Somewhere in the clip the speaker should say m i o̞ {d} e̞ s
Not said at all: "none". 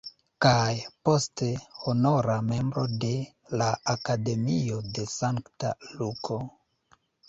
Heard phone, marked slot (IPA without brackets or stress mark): d